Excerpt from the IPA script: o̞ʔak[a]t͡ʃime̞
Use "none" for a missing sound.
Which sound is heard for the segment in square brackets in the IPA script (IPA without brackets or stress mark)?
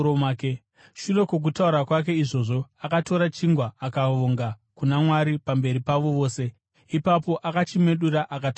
a